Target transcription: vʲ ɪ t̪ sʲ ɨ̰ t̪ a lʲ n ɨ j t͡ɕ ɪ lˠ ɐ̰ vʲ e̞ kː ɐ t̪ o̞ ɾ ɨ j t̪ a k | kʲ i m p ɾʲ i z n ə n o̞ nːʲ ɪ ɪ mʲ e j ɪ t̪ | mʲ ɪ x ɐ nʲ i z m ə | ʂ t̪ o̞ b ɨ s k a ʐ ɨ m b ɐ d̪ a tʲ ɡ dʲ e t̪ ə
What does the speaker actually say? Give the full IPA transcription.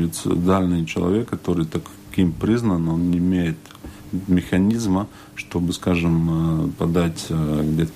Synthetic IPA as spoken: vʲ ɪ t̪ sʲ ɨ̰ d̪ a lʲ n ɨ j t͡ɕ ɪ lˠ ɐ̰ vʲ e̞ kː ɐ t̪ o̞ ɾ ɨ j t̪ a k | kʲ i m p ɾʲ i z n ə n o̞ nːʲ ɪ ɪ mʲ e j ɪ t̪ | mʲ ɪ x ɐ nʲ i z m ə | ʂ t̪ o̞ b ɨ s k a ʐ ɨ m p ɐ d̪ a tʲ ɡ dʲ e t̪ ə